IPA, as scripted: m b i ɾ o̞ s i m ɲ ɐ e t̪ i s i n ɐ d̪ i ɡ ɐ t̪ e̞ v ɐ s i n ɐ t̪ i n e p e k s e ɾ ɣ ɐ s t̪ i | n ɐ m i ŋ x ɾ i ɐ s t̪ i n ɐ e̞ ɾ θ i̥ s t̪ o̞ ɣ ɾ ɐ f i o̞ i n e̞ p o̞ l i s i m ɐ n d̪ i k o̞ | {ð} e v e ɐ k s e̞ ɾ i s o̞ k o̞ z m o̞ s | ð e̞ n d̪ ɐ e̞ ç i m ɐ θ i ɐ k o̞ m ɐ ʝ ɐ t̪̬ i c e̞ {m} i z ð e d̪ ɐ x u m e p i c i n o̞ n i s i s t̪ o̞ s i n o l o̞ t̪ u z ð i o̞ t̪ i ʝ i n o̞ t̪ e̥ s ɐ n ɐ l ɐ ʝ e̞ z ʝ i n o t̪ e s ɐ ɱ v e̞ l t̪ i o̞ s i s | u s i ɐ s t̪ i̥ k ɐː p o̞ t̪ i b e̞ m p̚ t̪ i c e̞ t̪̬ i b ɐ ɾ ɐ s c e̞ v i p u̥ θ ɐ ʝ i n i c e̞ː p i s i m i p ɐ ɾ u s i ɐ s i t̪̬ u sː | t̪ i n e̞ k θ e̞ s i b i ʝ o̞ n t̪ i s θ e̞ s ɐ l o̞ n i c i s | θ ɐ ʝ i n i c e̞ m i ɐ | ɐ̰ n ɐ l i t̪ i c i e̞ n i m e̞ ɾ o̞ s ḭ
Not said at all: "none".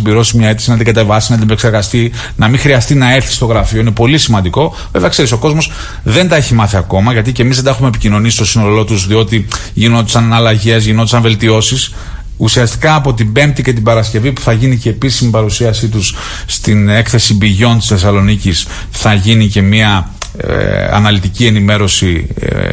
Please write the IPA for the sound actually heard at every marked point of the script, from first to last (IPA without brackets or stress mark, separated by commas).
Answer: v, m